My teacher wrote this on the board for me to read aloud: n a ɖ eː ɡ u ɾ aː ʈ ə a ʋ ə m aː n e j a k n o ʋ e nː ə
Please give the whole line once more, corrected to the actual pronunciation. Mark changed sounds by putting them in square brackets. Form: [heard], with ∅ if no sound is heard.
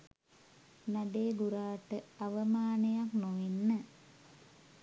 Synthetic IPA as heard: n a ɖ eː ɡ u ɾ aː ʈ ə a ʋ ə m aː n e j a k n o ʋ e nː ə